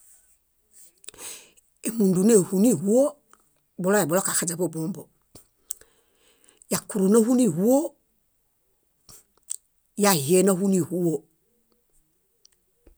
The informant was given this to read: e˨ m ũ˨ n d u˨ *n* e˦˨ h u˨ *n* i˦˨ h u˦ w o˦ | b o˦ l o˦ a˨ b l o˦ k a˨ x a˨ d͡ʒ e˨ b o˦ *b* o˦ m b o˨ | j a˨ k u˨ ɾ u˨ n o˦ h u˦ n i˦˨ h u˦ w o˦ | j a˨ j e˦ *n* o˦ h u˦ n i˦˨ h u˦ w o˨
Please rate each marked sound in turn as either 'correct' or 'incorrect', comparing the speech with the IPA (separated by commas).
correct, correct, correct, correct